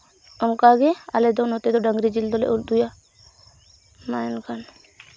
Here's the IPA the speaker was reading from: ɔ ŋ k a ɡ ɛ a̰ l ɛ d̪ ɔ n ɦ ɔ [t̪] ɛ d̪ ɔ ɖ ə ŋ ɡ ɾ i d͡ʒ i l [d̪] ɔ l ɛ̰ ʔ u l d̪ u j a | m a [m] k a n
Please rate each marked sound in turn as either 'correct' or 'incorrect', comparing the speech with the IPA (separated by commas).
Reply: correct, correct, incorrect